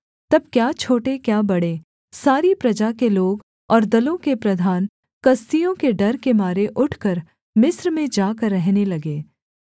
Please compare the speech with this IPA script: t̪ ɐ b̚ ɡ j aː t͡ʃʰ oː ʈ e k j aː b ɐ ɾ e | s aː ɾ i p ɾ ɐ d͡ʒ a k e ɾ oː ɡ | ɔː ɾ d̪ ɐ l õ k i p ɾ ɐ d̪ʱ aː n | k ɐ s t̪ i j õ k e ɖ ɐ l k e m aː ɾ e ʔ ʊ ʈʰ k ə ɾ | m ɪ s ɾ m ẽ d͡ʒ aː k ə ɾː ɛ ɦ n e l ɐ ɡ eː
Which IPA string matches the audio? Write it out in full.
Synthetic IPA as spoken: t̪ ɐ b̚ k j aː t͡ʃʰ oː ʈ e k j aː b ɐ ɽ e | s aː ɾ i p ɾ ɐ d͡ʒ a k e l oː ɡ | ɔː ɾ d̪ ɐ l õ k e p ɾ ɐ d̪ʱ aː n | k ɐ s t̪ i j õ k e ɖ ɐ ɾ k e m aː ɾ e ʔ ʊ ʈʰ k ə ɾ | m ɪ s ɾ m ẽ d͡ʒ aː k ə ɾː ɛ ɦ n e l ɐ ɡ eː